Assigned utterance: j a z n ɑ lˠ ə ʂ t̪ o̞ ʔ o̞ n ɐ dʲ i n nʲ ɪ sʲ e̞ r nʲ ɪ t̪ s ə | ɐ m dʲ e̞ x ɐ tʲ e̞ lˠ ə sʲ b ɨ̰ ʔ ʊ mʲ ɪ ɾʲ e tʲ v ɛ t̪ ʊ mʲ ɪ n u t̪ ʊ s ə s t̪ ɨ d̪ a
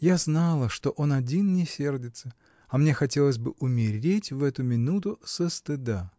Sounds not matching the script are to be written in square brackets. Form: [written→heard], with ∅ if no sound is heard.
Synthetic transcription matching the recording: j a z n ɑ lˠ ə ʂ t̪ o̞ ʔ o̞ n ɐ dʲ i n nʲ ɪ sʲ e̞ r [nʲ→dʲ] ɪ t̪ s ə | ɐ m [dʲ→nʲ] e̞ x ɐ tʲ e̞ lˠ ə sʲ b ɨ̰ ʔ ʊ mʲ ɪ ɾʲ e tʲ v ɛ t̪ ʊ mʲ ɪ n u t̪ ʊ s ə s t̪ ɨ d̪ a